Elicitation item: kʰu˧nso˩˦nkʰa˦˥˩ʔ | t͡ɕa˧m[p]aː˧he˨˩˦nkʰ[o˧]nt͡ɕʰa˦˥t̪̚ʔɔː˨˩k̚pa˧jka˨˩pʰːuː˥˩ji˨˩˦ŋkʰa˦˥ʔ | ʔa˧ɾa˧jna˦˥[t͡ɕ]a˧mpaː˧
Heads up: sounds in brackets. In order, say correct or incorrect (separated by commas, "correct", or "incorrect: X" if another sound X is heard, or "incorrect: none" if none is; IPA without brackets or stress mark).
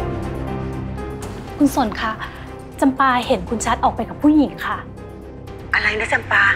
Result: correct, incorrect: u˧, correct